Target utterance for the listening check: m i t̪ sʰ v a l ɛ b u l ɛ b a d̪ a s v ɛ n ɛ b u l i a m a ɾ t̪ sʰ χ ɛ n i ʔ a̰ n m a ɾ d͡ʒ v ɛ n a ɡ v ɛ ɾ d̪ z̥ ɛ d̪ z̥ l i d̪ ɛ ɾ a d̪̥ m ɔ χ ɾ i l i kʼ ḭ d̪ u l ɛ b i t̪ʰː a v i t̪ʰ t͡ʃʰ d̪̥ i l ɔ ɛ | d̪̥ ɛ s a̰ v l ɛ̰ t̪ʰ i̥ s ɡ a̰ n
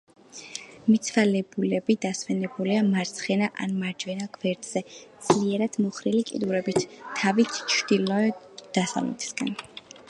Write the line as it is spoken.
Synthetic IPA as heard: m i t̪ sʰ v a l ɛ b u l ɛ b i d̪ a s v ɛ n ɛ b u l i a m a ɾ t̪ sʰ χ ɛ n a ʔ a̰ n m a ɾ d͡ʒ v ɛ n a ɡ v ɛ ɾ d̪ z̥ ɛ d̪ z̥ l i ɛ ɾ a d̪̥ m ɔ χ ɾ i l i kʼ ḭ d̪ u ɾ ɛ b i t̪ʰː a v i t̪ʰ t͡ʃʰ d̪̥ i l ɔ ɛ | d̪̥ a s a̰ v l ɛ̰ t̪ʰ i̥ s ɡ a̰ n